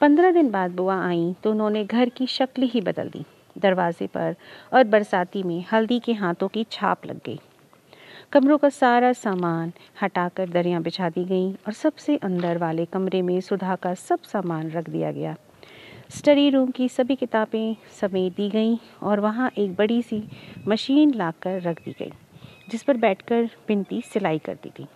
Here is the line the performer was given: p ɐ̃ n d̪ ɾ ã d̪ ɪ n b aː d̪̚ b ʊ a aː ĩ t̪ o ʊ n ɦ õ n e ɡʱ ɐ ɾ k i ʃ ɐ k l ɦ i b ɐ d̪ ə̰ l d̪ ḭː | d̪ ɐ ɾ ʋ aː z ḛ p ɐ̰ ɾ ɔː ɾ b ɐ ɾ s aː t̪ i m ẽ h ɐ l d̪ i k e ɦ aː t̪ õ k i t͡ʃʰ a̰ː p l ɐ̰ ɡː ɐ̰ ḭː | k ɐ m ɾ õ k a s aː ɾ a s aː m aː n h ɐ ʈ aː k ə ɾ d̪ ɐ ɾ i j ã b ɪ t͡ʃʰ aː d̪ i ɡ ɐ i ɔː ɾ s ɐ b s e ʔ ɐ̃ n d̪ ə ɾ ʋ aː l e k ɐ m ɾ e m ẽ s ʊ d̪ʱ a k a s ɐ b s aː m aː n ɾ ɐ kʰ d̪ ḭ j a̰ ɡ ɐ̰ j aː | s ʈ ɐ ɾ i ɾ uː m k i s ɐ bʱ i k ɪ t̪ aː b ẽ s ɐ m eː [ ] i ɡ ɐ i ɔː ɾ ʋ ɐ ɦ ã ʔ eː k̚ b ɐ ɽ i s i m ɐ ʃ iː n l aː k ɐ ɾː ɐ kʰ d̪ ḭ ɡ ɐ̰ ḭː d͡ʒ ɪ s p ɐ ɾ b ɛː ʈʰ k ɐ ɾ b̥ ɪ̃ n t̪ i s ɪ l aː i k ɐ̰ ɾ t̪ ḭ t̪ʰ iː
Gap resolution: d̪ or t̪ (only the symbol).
d̪